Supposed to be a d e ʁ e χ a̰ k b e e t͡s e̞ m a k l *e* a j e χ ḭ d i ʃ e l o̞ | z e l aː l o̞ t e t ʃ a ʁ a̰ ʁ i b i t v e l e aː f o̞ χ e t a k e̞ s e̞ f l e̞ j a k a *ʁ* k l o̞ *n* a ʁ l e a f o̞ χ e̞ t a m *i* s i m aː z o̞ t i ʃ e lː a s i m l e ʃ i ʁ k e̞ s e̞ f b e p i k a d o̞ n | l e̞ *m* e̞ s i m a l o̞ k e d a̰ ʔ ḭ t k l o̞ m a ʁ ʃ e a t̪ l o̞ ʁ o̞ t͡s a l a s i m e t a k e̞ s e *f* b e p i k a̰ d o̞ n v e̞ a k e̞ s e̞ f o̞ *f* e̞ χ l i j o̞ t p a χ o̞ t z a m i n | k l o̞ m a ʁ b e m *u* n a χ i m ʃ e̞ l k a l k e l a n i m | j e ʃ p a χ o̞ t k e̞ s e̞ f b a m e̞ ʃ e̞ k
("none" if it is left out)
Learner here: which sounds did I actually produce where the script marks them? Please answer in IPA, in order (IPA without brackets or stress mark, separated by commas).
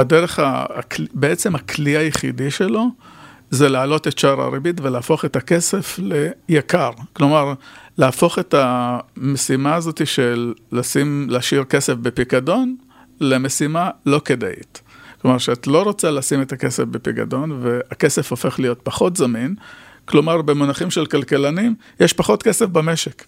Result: i, ʁ, m, e, m, f, f, o